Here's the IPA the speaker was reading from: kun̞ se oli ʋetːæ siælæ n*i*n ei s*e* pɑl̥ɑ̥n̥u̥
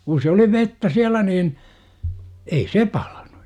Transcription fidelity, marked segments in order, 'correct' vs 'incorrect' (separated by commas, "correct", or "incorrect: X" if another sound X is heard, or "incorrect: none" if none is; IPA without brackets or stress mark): incorrect: iː, correct